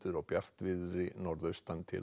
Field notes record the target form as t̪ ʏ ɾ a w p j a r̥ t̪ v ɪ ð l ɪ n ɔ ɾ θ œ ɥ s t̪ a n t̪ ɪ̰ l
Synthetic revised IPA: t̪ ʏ ɾ a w p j a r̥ t̪ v ɪ ð ɾ ɪ n ɔ ɾ ð œ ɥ s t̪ a n t̪ʰ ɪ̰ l